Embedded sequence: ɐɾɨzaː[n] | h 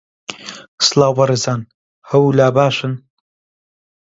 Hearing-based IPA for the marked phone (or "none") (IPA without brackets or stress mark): n